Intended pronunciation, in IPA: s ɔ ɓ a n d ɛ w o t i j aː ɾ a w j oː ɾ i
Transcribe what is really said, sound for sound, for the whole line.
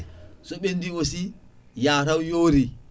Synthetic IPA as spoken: s ɔ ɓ e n d i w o s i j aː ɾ a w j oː ɾ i